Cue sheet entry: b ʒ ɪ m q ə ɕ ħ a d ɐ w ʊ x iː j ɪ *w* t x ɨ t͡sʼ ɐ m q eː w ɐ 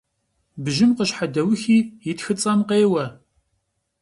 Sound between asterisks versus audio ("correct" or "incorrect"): incorrect